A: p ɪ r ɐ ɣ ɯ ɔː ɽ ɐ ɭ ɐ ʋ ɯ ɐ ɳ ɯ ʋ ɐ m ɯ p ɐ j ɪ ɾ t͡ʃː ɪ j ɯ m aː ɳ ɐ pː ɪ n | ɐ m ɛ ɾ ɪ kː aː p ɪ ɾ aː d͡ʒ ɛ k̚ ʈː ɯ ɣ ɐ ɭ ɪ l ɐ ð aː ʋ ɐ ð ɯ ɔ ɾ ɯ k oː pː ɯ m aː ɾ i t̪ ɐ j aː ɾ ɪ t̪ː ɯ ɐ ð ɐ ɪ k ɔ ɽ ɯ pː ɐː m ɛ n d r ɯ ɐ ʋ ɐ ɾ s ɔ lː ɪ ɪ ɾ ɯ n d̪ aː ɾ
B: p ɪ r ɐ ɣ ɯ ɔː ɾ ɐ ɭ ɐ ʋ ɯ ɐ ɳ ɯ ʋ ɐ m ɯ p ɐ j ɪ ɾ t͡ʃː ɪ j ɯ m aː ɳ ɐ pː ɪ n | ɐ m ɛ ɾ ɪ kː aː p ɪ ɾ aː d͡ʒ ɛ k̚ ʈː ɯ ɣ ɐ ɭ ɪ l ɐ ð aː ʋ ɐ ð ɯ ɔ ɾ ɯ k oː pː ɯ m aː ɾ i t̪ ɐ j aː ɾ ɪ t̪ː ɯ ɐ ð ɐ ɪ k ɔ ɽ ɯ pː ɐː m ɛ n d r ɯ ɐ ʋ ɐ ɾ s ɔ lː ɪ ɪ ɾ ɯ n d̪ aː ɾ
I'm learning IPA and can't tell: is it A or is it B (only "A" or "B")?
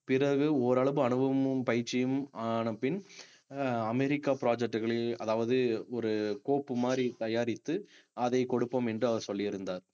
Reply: B